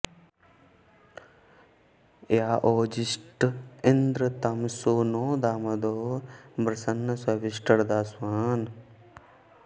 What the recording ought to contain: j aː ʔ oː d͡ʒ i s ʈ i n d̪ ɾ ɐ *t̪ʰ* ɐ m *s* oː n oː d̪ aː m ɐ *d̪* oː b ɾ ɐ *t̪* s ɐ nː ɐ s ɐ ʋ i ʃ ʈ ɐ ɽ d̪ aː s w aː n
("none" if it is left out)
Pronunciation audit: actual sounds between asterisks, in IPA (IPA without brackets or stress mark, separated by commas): t̪, s, d̪, none